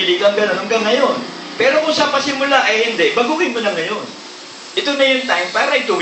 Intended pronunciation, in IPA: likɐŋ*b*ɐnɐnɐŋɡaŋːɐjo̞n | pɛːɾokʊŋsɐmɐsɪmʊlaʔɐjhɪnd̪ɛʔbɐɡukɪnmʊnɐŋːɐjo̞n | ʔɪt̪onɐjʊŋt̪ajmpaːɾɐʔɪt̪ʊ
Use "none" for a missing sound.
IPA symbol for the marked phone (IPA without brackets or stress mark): ɡ